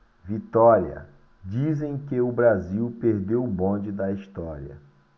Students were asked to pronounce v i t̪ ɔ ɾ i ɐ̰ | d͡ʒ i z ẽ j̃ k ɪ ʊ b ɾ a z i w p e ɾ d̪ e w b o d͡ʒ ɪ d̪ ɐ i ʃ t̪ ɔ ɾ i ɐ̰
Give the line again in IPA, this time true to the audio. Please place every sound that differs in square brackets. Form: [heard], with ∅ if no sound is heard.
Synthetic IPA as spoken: v i t̪ ɔ ɾ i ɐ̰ | d͡ʒ i z ẽ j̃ k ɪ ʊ b ɾ a z i w p e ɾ d̪ e w b [õ] d͡ʒ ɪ d̪ ɐ i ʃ t̪ ɔ ɾ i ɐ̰